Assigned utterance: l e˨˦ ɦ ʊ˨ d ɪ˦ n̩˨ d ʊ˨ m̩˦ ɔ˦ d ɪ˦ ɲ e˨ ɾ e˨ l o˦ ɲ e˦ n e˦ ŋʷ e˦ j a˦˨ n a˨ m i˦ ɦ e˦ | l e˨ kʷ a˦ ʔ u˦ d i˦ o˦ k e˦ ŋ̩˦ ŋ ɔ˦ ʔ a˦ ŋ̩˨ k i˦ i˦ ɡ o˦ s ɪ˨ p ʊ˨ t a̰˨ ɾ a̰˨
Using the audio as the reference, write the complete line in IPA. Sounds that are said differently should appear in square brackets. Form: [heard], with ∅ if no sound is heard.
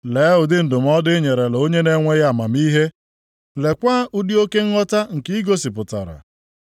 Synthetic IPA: l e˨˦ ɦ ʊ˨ d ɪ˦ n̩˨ d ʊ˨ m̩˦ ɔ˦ d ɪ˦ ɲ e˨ ɾ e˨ l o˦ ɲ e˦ n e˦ ŋʷ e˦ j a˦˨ [m] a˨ m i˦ ɦ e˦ | l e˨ kʷ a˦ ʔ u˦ d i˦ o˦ k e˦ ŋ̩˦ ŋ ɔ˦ [t] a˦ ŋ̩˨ k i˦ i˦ ɡ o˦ s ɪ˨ p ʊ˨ t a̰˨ ɾ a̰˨

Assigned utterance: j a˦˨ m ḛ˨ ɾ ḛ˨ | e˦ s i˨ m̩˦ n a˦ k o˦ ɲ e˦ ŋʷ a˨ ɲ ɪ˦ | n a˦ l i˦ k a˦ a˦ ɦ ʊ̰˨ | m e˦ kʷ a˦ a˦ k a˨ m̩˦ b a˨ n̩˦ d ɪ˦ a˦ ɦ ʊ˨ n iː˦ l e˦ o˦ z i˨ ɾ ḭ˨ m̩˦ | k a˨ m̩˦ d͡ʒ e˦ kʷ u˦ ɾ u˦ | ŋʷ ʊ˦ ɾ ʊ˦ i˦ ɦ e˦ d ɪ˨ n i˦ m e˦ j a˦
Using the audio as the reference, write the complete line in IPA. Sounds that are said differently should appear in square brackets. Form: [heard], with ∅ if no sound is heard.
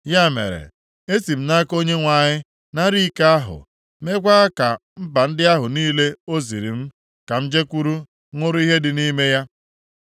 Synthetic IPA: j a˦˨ m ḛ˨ ɾ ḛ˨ | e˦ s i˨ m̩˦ n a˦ k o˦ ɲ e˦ ŋʷ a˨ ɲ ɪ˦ | n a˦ [ɾ] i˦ k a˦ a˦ ɦ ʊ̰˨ | m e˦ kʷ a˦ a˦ k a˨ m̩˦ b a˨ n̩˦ d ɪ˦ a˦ ɦ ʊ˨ n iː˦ l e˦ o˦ z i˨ ɾ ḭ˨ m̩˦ | k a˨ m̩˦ d͡ʒ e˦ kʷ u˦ ɾ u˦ | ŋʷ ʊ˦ ɾ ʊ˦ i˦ ɦ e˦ d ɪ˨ n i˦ m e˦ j a˦

